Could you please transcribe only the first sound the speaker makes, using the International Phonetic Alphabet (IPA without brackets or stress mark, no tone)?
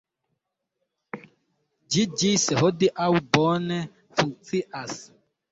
d͡ʒ